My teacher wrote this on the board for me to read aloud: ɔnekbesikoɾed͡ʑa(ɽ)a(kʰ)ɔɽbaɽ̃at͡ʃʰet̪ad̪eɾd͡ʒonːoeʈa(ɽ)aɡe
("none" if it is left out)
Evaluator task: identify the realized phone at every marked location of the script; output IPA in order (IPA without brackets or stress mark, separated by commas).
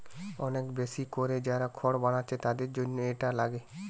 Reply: ɾ, kʰ, l